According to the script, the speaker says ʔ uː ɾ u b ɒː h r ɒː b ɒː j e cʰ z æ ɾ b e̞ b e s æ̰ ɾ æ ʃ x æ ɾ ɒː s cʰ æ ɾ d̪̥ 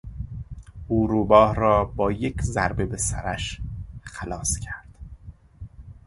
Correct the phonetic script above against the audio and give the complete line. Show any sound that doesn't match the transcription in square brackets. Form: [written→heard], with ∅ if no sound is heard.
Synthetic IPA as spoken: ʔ uː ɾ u b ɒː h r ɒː b ɒː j e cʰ z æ ɾ b e̞ b e s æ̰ ɾ æ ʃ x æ [ɾ→l] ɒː s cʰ æ ɾ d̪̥

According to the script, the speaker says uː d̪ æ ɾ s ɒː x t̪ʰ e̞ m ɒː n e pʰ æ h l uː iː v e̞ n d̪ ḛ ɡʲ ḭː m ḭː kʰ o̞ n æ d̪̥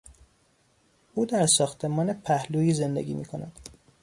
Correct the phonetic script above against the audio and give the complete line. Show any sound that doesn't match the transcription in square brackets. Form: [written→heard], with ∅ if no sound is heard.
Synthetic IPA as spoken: uː d̪ æ ɾ s ɒː x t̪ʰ e̞ m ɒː n e pʰ æ h l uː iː [v→z] e̞ n d̪ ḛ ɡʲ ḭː m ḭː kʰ o̞ n æ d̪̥

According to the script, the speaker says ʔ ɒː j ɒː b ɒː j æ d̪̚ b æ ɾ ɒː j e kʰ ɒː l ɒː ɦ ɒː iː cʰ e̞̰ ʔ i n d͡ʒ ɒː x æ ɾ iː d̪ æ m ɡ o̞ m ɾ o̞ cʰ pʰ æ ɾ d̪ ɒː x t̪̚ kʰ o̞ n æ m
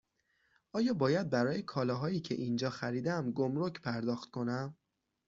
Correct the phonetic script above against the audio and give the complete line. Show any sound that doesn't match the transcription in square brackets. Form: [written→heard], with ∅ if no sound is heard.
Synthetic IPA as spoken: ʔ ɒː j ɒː b ɒː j æ d̪̚ b æ ɾ ɒː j e kʰ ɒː l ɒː ɦ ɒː iː cʰ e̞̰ ʔ i n d͡ʒ ɒː x æ ɾ iː d̪ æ m ɡ o̞ m ɾ o̞ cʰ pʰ æ ɾ d̪ ɒː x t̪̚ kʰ o̞ n æ m

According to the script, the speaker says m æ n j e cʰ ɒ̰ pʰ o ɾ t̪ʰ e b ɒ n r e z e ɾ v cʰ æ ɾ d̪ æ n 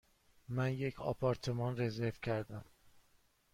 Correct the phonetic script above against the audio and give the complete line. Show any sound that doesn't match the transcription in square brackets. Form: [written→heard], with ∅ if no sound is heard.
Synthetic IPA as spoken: m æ n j e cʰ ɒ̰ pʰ [o→ɒ] ɾ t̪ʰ e [b→m] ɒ n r e z e ɾ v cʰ æ ɾ d̪ æ [n→m]

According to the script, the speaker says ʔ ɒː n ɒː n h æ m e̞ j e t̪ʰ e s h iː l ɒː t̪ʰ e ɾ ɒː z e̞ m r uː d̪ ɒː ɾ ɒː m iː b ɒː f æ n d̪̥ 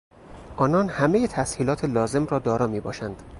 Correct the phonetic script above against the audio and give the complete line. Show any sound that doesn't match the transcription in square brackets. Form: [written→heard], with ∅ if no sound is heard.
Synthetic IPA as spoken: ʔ ɒː n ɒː n h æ m e̞ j e t̪ʰ [e→æ] s h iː l ɒː t̪ʰ e [ɾ→l] ɒː z e̞ m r [uː→ɒː] d̪ ɒː ɾ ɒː m iː b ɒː [f→ʃ] æ n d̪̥

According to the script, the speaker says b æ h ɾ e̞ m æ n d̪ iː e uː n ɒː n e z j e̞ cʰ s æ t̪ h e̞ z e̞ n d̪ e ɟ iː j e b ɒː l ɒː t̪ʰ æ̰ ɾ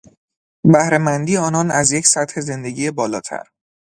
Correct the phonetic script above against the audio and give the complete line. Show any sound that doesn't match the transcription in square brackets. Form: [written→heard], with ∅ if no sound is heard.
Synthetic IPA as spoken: b æ h ɾ e̞ m æ n d̪ iː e [uː→ɒː] n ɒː n [e→æ] z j e̞ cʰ s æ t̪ h e̞ z e̞ n d̪ e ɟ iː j e b ɒː l ɒː t̪ʰ æ̰ ɾ

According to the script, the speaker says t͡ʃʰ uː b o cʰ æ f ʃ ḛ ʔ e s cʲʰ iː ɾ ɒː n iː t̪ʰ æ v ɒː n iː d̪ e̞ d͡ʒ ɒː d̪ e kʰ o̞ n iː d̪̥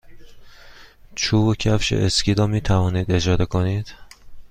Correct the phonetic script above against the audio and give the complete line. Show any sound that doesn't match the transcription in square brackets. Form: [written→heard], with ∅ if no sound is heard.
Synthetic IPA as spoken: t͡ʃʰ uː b o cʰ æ f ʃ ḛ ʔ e s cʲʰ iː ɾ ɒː [n→m] iː t̪ʰ æ v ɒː n iː d̪ e̞ d͡ʒ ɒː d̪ e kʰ o̞ n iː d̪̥

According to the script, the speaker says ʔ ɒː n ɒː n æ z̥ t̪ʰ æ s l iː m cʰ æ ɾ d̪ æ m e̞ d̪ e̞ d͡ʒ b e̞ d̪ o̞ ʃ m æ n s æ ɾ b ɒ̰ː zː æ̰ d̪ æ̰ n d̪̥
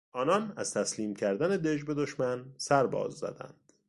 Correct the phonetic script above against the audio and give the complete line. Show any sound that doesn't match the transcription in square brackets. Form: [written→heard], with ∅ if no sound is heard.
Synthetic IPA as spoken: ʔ ɒː n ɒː n æ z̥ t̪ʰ æ s l iː m cʰ æ ɾ d̪ æ [m→n] e̞ d̪ e̞ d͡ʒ b e̞ d̪ o̞ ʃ m æ n s æ ɾ b ɒ̰ː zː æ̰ d̪ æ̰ n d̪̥

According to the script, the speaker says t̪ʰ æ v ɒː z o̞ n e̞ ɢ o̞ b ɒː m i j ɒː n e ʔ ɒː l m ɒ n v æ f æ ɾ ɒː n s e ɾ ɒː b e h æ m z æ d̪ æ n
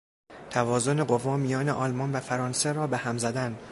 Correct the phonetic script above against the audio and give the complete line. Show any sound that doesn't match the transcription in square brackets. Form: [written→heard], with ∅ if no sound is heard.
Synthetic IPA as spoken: t̪ʰ æ v ɒː z o̞ n e̞ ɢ o̞ [b→v] ɒː m i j ɒː n e ʔ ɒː l m ɒ n v æ f æ ɾ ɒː n s e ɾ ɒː b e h æ m z æ d̪ æ n

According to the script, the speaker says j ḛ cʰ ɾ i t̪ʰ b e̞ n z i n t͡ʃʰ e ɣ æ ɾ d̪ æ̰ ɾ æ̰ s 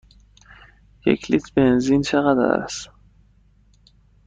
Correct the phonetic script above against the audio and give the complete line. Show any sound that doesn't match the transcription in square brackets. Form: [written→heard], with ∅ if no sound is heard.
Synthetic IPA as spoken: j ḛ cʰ [ɾ→l] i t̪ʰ b e̞ n z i n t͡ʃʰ e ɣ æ [ɾ→∅] d̪ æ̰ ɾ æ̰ s

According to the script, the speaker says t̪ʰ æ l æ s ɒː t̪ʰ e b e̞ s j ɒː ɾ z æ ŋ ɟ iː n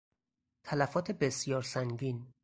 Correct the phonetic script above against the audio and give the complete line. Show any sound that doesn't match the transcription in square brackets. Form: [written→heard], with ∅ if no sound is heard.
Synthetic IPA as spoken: t̪ʰ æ l æ [s→f] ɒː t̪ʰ e b e̞ s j ɒː ɾ [z→s] æ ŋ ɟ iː n

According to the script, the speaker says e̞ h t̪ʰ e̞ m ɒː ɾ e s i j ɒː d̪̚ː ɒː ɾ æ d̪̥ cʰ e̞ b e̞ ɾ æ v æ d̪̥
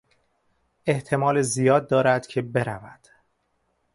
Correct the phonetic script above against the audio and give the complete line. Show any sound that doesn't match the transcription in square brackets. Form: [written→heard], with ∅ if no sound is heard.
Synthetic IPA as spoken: e̞ h t̪ʰ e̞ m ɒː [ɾ→l] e [s→z] i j ɒː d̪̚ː ɒː ɾ æ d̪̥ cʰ e̞ b e̞ ɾ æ v æ d̪̥

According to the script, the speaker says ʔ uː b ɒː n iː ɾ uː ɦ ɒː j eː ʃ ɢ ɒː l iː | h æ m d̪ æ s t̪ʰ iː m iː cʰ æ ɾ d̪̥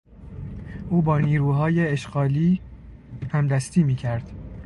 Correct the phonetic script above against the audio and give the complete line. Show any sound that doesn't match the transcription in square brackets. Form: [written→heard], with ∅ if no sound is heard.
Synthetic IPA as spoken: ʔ uː b ɒː n iː ɾ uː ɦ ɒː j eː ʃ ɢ ɒː l iː | h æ m d̪ æ s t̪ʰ iː m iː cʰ æ ɾ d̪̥

